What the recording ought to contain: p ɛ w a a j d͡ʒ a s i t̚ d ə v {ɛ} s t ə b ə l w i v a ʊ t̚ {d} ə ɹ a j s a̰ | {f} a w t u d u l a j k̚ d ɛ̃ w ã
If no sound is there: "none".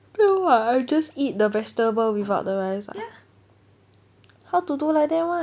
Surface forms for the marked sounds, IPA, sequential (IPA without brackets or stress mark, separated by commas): ɛ, d, h